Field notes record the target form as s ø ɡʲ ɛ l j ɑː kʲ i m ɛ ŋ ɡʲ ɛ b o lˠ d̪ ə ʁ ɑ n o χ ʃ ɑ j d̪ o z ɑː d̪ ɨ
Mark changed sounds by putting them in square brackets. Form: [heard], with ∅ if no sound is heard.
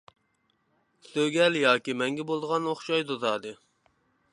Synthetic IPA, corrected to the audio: s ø ɡʲ ɛ l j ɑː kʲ i m ɛ ŋ ɡʲ ɛ b o lˠ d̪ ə ʁ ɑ n o χ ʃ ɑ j d̪ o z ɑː d̪ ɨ